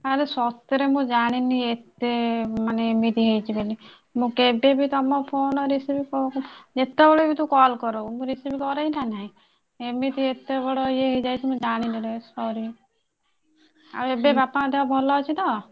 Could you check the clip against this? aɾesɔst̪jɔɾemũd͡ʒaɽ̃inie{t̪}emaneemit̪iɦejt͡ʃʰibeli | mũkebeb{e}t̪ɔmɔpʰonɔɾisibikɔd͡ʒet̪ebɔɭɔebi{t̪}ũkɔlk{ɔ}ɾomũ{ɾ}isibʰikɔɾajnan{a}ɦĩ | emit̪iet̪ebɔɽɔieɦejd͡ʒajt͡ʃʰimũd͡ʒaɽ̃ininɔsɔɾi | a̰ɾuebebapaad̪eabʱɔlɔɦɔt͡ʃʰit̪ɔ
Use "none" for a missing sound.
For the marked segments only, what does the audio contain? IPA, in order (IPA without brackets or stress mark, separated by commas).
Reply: t̪, i, t̪, ɔ, ɾ, a